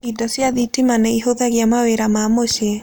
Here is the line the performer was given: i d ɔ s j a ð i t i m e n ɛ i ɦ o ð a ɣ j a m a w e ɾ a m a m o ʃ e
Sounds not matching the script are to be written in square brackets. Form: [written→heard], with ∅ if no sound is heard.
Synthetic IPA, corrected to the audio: i d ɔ s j a ð i t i m [e→a] n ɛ i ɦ o ð a ɣ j a m a w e ɾ a m a m o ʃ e